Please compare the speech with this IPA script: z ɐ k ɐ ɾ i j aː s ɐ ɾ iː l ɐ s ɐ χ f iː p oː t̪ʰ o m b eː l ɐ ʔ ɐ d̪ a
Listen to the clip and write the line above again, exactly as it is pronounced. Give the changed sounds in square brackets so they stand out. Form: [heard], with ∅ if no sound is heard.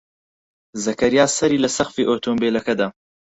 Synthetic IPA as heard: z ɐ k ɐ ɾ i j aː s ɐ ɾ iː l ɐ s ɐ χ f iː [ʔ] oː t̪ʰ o m b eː l ɐ [k] ɐ d̪ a